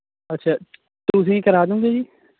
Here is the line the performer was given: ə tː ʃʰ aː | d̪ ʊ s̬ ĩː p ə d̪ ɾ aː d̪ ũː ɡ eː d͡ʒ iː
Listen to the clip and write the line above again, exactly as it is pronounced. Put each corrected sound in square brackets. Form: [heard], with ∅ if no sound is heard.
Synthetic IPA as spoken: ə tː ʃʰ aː | [t̪] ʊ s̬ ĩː [k] ə [∅] ɾ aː d̪ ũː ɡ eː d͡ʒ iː